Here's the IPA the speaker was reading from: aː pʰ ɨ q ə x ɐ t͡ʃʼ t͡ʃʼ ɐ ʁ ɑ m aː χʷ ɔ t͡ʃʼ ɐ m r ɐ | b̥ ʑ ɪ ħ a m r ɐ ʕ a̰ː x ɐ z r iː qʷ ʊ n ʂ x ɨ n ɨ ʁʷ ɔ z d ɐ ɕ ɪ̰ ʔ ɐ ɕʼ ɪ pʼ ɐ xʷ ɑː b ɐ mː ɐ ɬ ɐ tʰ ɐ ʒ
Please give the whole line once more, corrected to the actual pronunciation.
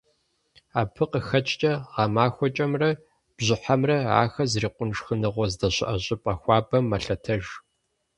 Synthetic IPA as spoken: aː pʰ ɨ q ə x ɐ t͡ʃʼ t͡ʃʼ ɐ ʁ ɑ m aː xʷ ɔ t͡ʃʼ ɐ m r ɐ | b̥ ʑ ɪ ħ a m r ɐ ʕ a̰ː x ɐ z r iː qʷ ʊ n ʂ x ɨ n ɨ ʁʷ ɔ z d ɐ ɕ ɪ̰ ʔ ɐ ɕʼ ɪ pʼ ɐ xʷ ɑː b ɐ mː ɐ ɬ ɐ tʰ ɐ ʒ